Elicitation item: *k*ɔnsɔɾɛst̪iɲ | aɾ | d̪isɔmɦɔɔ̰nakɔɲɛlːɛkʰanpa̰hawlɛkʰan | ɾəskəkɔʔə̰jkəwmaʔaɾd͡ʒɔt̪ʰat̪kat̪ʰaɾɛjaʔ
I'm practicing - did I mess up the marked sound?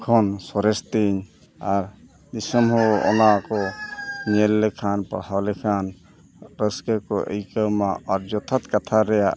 yes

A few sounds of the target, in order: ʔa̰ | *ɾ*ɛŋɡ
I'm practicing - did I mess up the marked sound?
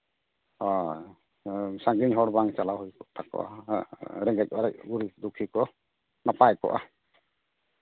no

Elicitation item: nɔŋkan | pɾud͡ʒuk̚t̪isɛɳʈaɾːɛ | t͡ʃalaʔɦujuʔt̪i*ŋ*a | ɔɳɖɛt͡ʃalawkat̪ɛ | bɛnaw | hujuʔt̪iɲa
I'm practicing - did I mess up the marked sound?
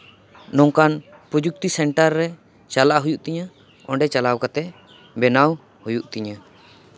yes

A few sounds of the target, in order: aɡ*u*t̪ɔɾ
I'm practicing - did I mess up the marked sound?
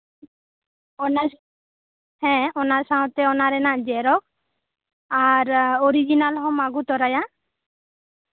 no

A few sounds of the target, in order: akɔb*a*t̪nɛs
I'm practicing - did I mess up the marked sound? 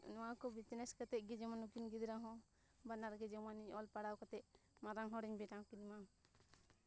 yes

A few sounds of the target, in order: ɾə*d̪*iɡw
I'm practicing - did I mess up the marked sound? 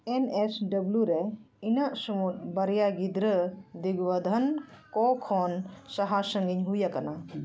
no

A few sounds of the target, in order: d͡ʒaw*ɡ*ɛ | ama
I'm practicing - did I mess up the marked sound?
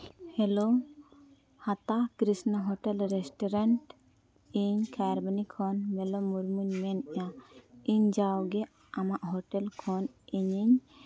no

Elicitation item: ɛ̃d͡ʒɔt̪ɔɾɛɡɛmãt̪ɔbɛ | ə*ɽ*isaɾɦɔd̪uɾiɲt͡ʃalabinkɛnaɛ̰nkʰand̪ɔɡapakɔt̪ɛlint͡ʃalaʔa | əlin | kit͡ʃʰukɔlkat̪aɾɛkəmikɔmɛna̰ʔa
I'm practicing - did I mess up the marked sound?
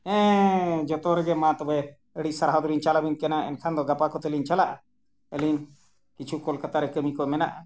no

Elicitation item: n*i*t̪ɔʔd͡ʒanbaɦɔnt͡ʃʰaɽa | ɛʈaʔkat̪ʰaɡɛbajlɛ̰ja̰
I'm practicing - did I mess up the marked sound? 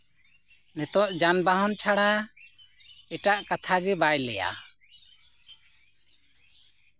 yes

